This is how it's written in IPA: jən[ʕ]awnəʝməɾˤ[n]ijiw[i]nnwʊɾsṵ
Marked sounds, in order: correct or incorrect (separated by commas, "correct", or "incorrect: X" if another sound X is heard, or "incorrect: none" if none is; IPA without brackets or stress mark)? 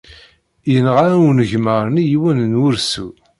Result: incorrect: ʁ, correct, incorrect: æ